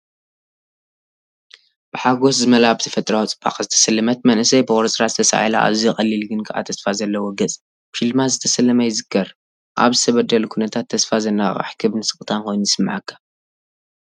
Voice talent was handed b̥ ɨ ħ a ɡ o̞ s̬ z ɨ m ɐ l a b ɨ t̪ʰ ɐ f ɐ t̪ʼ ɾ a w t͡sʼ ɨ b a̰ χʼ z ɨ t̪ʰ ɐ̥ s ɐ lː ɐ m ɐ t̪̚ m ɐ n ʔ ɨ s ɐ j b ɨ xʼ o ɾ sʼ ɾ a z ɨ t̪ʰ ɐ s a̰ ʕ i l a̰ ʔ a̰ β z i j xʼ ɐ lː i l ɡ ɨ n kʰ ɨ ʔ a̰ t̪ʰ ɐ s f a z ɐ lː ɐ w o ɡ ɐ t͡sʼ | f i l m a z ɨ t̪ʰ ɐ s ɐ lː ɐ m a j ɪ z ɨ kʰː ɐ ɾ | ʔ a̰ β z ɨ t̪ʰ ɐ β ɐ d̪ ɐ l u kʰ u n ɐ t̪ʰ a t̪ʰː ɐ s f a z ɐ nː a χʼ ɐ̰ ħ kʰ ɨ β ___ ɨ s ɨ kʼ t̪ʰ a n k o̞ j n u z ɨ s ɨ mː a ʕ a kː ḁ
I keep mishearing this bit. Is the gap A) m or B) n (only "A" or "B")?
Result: B